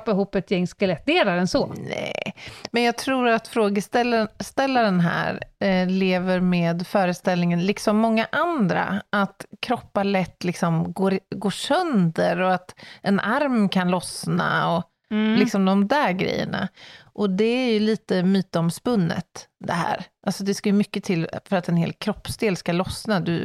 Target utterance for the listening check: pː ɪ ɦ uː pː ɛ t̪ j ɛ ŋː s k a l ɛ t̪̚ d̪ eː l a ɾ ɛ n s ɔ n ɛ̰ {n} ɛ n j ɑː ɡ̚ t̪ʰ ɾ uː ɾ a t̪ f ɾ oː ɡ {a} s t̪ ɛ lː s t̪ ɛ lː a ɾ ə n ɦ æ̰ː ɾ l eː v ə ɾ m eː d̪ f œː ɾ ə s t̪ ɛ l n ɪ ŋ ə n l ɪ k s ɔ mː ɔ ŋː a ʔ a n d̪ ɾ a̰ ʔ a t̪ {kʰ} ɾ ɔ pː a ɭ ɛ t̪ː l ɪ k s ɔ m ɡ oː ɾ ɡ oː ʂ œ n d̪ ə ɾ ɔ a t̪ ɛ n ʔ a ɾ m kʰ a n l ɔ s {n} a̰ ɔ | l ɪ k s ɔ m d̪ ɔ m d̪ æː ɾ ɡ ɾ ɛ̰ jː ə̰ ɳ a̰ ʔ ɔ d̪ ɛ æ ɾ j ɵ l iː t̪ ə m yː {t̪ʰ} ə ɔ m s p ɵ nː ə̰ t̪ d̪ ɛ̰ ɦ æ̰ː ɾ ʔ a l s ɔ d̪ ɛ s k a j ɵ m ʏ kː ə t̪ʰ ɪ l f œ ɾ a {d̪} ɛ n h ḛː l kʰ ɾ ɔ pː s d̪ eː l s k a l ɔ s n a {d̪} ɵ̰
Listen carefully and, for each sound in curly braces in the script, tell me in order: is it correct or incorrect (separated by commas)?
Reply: incorrect, incorrect, correct, correct, incorrect, incorrect, correct